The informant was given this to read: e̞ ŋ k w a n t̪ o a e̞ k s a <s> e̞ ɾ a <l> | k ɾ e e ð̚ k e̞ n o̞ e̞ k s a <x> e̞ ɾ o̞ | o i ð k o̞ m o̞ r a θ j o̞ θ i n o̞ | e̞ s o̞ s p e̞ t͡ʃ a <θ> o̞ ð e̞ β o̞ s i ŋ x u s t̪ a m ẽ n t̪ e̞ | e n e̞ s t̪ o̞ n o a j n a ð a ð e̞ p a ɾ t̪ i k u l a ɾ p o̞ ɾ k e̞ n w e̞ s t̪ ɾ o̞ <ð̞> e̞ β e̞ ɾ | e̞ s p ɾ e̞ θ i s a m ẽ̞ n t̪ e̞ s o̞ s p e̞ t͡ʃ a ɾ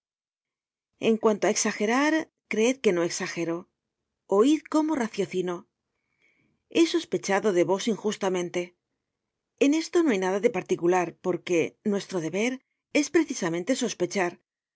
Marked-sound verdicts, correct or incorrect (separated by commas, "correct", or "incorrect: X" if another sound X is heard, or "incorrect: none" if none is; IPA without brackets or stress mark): incorrect: x, incorrect: ɾ, correct, incorrect: ð, correct